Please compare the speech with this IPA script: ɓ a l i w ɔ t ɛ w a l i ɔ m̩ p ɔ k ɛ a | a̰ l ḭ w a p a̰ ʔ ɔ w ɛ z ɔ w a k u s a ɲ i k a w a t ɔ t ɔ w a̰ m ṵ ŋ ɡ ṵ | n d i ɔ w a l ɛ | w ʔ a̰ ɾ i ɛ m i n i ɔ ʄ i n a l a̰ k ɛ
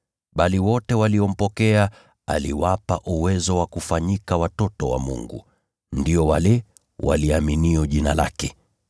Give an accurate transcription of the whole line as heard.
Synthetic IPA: ɓ a l i w ɔ t ɛ w a l i ɔ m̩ p ɔ k ɛ a | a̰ l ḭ w a p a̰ ʔ u w ɛ z ɔ w a k u f a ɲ i k a w a t ɔ t ɔ w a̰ m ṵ ŋ ɡ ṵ | n d i ɔ w a l ɛ | w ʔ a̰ l i a m i n i ɔ ʄ i n a l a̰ k ɛ